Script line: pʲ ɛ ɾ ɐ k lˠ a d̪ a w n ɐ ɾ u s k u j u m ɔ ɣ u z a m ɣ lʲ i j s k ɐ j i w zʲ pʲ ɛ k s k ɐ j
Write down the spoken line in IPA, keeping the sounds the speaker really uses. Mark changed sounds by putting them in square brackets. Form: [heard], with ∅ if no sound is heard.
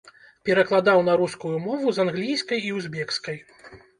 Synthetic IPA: pʲ ɛ ɾ ɐ k lˠ a d̪ a w n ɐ ɾ u s k u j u m ɔ [v] u z a [n] ɣ lʲ i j s k ɐ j i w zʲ [bʲ] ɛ k s k ɐ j